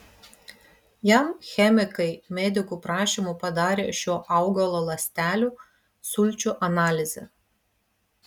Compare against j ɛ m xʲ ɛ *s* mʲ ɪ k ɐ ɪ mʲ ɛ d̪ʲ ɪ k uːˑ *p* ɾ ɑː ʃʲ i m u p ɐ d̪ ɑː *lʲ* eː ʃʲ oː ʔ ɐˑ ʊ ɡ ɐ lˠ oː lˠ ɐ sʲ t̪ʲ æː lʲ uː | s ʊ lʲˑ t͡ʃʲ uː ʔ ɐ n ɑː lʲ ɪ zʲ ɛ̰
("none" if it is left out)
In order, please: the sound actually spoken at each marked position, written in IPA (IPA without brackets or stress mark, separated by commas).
none, p, ɾʲ